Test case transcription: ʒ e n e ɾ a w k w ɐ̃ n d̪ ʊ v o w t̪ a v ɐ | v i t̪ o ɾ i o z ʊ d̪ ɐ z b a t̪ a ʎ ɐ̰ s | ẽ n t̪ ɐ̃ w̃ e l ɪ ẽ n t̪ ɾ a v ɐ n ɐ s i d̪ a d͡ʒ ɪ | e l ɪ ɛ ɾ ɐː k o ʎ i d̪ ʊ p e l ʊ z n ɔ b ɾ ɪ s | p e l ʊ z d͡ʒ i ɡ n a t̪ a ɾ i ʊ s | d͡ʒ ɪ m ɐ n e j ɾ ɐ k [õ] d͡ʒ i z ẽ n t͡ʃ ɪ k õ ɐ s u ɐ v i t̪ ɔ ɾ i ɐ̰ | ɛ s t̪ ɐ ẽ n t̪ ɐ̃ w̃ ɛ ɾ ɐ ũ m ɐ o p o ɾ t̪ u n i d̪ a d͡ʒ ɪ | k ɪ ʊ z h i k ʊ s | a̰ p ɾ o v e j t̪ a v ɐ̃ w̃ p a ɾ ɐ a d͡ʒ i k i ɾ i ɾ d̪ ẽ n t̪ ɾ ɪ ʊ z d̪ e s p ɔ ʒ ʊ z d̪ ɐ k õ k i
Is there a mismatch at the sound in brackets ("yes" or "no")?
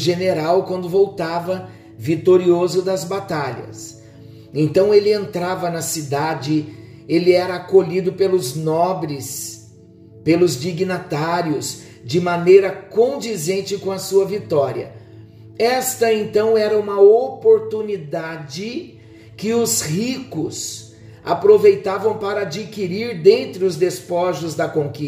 no